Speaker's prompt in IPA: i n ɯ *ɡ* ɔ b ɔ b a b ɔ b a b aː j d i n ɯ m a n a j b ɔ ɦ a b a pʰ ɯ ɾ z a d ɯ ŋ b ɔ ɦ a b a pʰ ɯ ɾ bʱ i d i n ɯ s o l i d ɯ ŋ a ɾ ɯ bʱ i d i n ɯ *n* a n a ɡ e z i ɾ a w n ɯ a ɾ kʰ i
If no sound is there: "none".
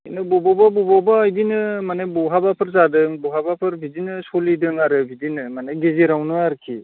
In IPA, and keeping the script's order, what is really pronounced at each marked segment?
b, m

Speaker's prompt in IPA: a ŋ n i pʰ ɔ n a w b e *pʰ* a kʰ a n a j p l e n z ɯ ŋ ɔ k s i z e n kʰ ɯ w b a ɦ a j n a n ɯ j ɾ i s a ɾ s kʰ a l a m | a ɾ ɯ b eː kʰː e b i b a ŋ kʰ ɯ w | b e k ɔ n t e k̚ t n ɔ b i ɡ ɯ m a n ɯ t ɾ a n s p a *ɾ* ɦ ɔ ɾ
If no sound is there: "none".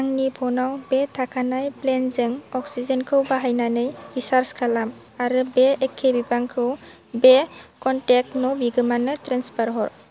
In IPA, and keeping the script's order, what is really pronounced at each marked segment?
tʰ, ɾ

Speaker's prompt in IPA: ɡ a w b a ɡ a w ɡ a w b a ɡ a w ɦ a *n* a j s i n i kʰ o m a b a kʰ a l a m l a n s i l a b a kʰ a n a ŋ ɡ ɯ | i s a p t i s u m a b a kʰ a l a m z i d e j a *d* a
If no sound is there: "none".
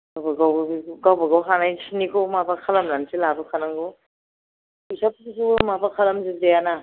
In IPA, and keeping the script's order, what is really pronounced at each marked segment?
n, n

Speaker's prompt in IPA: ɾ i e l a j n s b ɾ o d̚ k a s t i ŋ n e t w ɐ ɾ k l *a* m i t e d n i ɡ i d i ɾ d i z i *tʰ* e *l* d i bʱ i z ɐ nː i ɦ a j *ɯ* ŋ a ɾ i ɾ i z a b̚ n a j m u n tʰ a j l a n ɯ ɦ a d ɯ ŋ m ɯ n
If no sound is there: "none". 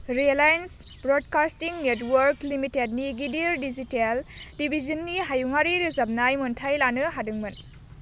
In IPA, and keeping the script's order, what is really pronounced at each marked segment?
i, t, l, u

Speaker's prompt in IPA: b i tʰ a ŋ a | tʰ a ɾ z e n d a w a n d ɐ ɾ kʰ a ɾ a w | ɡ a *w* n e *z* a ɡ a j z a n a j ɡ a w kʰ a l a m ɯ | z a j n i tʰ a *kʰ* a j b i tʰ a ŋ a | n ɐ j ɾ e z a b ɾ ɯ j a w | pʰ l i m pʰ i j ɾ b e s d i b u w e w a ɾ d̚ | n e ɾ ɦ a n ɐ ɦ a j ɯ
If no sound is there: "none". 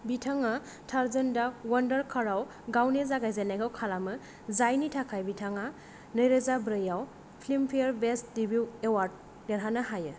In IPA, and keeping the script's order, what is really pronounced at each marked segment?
w, z, kʰ

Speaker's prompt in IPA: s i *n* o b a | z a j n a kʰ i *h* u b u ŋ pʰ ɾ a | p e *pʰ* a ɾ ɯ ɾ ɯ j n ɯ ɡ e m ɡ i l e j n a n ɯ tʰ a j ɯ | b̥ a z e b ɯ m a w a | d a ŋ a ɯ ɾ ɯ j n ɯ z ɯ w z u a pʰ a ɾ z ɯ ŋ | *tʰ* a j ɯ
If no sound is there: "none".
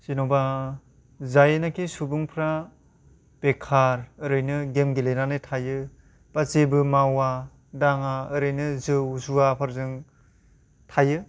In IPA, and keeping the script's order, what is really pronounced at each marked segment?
n, s, kʰ, tʰ

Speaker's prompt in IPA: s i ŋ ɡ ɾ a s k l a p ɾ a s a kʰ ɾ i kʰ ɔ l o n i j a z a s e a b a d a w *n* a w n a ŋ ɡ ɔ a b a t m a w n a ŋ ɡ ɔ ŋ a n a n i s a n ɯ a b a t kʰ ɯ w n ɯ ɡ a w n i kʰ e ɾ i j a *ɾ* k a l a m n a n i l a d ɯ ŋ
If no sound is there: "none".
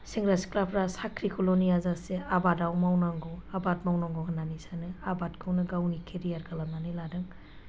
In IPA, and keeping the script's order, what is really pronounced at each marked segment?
m, ɾ

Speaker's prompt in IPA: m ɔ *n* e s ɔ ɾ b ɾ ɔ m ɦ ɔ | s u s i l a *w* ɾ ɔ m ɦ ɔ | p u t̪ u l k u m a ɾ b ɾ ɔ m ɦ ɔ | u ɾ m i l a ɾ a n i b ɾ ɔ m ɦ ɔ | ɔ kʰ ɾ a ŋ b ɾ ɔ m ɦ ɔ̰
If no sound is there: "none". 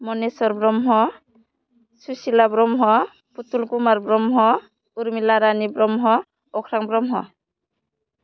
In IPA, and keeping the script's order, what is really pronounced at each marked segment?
n, b

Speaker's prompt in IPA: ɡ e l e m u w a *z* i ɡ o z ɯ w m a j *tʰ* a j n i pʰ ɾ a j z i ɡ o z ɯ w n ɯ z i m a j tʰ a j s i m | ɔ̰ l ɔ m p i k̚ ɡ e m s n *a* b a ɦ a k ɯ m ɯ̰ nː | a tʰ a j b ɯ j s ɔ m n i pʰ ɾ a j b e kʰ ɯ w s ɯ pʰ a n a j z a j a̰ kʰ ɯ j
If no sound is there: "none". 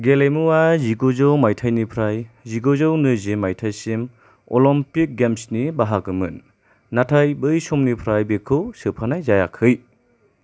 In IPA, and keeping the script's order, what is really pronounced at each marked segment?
z, tʰ, i

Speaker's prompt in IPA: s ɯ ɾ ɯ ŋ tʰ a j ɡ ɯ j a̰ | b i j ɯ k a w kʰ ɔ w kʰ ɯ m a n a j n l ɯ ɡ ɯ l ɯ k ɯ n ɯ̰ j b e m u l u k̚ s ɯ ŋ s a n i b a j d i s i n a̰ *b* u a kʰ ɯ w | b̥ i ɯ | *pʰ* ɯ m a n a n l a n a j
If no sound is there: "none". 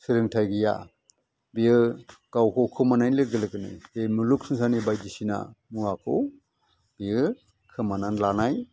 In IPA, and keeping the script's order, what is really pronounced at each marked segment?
m, kʰ

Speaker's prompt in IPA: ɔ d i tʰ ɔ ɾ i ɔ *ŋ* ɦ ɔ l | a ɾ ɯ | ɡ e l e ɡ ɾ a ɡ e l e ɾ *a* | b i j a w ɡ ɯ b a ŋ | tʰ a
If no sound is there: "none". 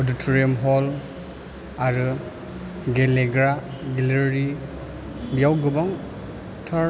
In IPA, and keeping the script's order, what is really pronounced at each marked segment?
m, i

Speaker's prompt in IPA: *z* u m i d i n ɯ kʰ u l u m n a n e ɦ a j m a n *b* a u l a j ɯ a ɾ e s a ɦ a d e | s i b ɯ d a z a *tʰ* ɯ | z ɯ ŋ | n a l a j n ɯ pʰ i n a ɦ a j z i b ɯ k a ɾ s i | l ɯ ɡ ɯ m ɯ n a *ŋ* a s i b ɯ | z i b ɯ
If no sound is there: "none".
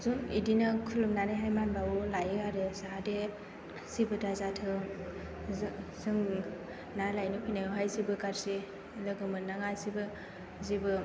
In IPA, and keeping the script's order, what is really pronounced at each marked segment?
z, b, tʰ, ŋ

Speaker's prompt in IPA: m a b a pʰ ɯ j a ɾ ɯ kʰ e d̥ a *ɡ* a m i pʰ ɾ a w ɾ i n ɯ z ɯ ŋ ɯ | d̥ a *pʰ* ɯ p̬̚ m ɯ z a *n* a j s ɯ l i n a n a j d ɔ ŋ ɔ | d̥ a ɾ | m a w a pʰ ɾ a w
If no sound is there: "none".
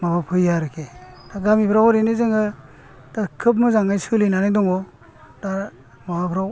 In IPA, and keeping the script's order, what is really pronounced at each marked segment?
ɡ, kʰ, ŋ

